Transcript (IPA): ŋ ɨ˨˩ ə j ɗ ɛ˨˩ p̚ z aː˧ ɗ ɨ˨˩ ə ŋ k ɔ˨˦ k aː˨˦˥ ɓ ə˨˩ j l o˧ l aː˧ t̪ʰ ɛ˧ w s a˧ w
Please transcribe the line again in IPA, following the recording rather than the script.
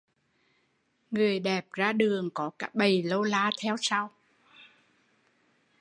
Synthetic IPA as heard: ŋ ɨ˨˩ ə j ɗ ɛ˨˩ p̚ z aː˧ ɗ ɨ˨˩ ə ŋ k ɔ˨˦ k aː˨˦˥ ɓ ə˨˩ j l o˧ l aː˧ t̪ʰ ɛ˧ w s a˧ w